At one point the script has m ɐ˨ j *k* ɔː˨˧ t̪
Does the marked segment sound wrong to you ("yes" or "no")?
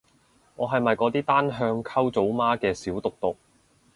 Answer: no